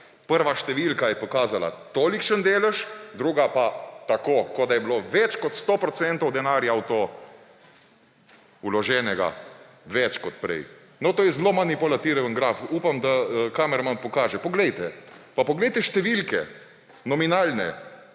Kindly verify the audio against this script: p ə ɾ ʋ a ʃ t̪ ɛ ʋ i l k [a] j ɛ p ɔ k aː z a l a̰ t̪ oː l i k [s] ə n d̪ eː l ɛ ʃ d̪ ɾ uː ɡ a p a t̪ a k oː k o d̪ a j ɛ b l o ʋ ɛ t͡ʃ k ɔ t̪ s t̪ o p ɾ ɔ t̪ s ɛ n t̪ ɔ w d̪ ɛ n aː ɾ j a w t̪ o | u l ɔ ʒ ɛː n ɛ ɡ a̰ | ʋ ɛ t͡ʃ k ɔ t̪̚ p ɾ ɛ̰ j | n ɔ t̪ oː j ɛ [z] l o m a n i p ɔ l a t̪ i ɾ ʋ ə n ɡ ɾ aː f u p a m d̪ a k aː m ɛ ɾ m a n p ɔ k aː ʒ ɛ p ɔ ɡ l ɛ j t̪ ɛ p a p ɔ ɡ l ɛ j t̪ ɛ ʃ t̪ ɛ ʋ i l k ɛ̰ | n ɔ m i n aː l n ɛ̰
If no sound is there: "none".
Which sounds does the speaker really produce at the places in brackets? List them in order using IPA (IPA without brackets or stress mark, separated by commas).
a, ʃ, z